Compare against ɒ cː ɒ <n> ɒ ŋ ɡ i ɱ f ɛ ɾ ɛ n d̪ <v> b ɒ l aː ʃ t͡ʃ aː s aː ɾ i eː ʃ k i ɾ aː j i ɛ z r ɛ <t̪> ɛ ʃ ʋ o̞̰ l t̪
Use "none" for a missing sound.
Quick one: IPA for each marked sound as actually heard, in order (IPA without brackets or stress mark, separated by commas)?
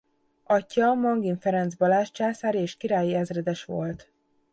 m, z, d̪